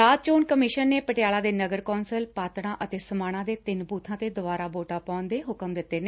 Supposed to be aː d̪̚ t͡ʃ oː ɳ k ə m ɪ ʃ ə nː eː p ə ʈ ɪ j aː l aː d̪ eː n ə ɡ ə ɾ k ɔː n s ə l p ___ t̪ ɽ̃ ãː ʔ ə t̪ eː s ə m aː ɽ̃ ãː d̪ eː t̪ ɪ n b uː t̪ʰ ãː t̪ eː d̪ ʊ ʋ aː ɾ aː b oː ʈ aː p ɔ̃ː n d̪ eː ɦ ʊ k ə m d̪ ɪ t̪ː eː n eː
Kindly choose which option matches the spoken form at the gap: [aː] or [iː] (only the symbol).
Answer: aː